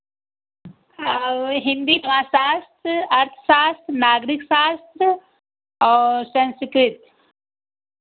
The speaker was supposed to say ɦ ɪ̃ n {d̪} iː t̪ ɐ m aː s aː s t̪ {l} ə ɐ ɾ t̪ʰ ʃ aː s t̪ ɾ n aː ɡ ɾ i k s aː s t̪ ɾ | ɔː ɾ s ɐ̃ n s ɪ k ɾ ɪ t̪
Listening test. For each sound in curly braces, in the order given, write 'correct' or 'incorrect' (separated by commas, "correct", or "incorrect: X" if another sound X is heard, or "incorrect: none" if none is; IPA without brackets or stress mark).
correct, incorrect: ɾ